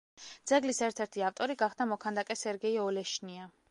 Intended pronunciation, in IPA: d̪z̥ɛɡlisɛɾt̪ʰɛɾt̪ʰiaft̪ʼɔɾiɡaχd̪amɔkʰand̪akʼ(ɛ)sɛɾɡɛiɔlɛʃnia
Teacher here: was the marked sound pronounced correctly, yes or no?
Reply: yes